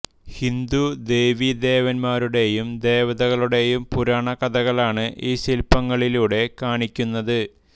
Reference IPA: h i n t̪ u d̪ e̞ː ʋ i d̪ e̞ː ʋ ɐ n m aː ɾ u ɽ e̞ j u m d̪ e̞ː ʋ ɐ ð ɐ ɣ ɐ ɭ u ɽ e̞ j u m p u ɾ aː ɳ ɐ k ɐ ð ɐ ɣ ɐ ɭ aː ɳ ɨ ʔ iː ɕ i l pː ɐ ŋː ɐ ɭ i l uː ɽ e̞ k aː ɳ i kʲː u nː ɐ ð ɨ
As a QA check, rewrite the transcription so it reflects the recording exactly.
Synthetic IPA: h i n d̪ u d̪ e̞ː ʋ i d̪ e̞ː ʋ ɐ n m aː ɾ u ɽ e̞ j u m d̪ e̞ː ʋ ɐ ð ɐ ɣ ɐ ɭ u ɽ e̞ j u m p u ɾ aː ɳ ɐ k ɐ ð ɐ ɣ ɐ ɭ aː ɳ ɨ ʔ iː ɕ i l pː ɐ ŋː ɐ ɭ i l uː ɽ e̞ k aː ɳ i kʲː u nː ɐ ð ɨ